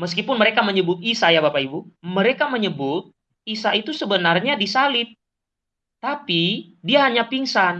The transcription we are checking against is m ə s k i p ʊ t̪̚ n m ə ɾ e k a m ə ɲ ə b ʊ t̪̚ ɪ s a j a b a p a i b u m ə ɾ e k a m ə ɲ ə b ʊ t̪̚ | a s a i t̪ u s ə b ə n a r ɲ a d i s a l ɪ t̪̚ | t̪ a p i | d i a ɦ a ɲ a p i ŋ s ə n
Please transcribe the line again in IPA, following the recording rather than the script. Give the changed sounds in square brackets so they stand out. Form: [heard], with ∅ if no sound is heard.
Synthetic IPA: m ə s k i p ʊ [∅] n m ə ɾ e k a m ə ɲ ə b ʊ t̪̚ [i] s a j a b a p a i b u m ə ɾ e k a m ə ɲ ə b ʊ t̪̚ | [i] s a i t̪ u s ə b ə n a r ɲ a d i s a l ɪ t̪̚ | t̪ a p i | d i a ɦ a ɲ a p i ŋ s [a] n

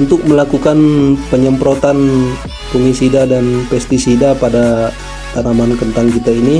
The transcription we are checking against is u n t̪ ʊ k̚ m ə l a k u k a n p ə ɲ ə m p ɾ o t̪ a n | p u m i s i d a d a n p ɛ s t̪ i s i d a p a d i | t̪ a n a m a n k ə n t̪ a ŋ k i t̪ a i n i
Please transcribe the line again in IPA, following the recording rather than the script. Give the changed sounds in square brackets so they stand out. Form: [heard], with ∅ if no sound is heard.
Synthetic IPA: u n t̪ ʊ k̚ m ə l a k u k a n p ə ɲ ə m p ɾ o t̪ a n | p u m i s i d a d a n p ɛ s t̪ i s i d a p a d [a] | t̪ a n a m a n k ə n t̪ a ŋ k i t̪ a i n i

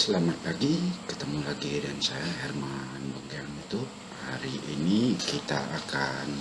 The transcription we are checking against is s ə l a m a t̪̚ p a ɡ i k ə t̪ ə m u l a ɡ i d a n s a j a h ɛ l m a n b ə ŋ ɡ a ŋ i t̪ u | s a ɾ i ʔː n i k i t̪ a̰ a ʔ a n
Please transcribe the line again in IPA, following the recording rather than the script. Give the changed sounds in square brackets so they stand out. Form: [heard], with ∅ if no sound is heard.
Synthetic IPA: s ə l a m a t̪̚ p a ɡ i k ə t̪ ə m u l a ɡ i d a n s a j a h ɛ [r] m a n b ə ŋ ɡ a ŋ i t̪ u | [h] a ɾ i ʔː n i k i t̪ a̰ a [k] a n

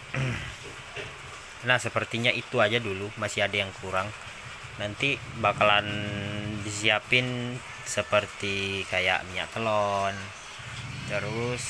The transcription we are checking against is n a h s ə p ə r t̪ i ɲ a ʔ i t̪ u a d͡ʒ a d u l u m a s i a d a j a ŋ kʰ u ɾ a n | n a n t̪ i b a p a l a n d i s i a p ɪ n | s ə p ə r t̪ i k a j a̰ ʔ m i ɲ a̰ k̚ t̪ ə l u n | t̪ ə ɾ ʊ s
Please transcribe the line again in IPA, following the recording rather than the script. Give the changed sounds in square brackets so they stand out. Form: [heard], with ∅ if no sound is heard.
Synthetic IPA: n a h s ə p ə r t̪ i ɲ a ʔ i t̪ u a d͡ʒ a d u l u m a s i a d a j a ŋ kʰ u ɾ a [ŋ] | n a n t̪ i b a [k] a l a n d i s i a p ɪ n | s ə p ə r t̪ i k a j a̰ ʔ m i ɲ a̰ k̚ t̪ ə l [ɔ] n | t̪ ə ɾ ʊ s

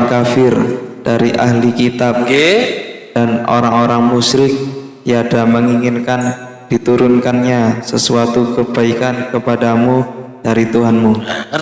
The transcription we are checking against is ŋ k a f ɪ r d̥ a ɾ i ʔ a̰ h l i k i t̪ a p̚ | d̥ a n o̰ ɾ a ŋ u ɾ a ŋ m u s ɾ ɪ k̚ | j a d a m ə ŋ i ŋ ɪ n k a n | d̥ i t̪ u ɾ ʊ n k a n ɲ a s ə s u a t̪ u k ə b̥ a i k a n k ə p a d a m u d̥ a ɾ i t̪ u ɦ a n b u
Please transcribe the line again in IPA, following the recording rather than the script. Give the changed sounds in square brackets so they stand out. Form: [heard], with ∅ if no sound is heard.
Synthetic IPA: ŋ k a f ɪ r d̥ a ɾ i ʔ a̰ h l i k i t̪ a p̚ | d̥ a n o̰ ɾ a ŋ [o] ɾ a ŋ m u s ɾ ɪ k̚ | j a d a m ə ŋ i ŋ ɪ n k a n | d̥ i t̪ u ɾ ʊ n k a n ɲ a s ə s u a t̪ u k ə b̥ a i k a n k ə p a d a m u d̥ a ɾ i t̪ u ɦ a n [m] u

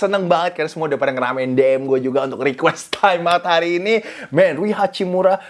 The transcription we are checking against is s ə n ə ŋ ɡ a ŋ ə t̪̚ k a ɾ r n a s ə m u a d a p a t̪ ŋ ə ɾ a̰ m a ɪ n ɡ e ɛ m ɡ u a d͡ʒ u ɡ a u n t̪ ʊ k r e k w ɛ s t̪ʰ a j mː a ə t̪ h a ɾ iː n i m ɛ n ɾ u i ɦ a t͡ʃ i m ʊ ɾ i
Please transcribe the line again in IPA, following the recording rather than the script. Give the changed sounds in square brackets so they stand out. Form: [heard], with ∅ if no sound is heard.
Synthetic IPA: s ə n ə ŋ [b] a ŋ ə t̪̚ k a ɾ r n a s ə m u a d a p a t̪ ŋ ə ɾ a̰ m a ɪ n [d] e ɛ m ɡ u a d͡ʒ u ɡ a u n t̪ ʊ k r [i] k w ɛ s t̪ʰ a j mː a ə t̪ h a ɾ iː n i m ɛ n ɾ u i ɦ a t͡ʃ i m [u] ɾ [a]

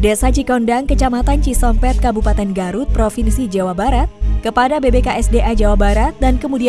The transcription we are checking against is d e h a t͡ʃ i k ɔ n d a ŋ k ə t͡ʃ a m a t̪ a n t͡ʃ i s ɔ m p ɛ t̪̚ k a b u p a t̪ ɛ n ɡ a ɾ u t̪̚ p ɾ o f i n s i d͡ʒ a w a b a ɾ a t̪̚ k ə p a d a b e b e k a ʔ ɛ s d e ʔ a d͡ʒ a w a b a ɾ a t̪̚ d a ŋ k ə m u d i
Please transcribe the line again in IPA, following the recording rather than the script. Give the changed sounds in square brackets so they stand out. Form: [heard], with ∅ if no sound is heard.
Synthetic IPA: d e [s] a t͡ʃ i k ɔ n d a ŋ k ə t͡ʃ a m a t̪ a n t͡ʃ i s ɔ m p ɛ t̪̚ k a b u p a t̪ ɛ n ɡ a ɾ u t̪̚ p ɾ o f i n s i d͡ʒ a w a b a ɾ a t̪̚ k ə p a d a b e b e k a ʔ ɛ s d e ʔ a d͡ʒ a w a b a ɾ a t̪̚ d a [n] k ə m u d i

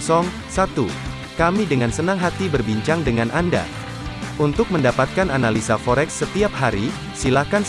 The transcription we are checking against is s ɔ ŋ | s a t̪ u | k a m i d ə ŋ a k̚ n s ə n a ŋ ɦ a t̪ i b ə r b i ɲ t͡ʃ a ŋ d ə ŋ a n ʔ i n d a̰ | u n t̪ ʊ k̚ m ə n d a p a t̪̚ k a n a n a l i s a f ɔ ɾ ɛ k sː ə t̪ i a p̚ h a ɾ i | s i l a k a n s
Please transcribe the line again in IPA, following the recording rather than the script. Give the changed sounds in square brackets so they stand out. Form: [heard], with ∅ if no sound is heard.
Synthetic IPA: s ɔ ŋ | s a t̪ u | k a m i d ə ŋ a [∅] n s ə n a ŋ ɦ a t̪ i b ə r b i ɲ t͡ʃ a ŋ d ə ŋ a n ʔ [a] n d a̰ | u n t̪ ʊ k̚ m ə n d a p a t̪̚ k a n a n a l i s a f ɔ ɾ ɛ k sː ə t̪ i a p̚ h a ɾ i | s i l a k a n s

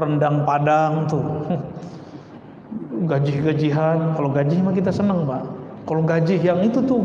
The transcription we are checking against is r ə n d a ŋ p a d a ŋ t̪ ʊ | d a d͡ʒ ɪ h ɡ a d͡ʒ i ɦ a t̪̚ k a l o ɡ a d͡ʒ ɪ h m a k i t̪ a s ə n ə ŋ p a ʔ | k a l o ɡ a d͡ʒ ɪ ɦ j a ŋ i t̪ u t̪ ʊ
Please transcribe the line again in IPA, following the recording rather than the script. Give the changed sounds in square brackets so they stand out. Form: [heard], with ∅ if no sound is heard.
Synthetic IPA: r ə n d a ŋ p a d a ŋ t̪ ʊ | [ɡ] a d͡ʒ ɪ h ɡ a d͡ʒ i ɦ a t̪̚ k a l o ɡ a d͡ʒ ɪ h m a k i t̪ a s ə n ə ŋ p a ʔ | k a l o ɡ a d͡ʒ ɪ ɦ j a ŋ i t̪ u t̪ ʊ

